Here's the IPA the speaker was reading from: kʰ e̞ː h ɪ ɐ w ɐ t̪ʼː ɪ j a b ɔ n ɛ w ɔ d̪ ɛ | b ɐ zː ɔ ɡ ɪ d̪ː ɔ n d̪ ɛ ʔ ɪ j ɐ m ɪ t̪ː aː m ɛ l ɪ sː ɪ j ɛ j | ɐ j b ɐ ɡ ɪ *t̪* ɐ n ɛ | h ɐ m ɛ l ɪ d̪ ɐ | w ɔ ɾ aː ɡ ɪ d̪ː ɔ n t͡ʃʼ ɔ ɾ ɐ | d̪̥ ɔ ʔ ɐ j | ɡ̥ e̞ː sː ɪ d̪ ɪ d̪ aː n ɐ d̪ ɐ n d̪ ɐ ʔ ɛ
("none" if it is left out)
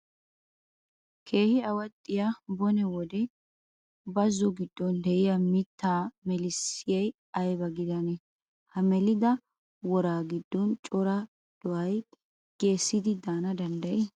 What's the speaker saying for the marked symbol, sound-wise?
d̪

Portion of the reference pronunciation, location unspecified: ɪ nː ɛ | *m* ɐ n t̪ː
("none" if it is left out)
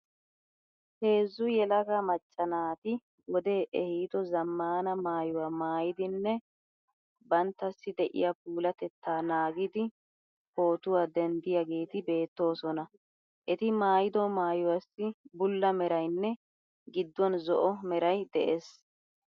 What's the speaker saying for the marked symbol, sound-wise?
b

